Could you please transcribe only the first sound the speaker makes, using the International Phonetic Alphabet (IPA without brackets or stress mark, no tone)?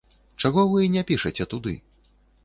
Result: t͡ʂ